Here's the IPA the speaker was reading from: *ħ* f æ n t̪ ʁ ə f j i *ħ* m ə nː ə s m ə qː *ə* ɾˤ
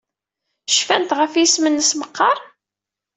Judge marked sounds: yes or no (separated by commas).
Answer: no, no, no